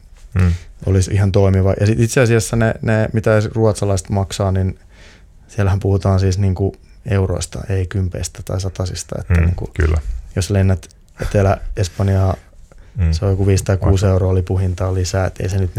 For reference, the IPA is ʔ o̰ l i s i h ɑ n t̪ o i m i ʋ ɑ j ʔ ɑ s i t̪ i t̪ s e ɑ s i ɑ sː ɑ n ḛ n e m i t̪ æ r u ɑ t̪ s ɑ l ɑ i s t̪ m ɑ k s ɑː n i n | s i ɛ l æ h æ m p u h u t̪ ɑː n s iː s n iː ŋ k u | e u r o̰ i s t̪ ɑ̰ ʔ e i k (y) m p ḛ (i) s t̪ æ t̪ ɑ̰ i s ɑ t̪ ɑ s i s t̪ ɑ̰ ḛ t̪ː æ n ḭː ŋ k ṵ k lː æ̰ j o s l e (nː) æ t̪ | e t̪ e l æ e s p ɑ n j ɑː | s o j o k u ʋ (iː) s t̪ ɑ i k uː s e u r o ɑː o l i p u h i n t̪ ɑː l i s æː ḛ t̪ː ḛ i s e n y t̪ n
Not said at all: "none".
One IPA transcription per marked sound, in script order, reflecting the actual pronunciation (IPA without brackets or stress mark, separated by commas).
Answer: y, i, nː, iː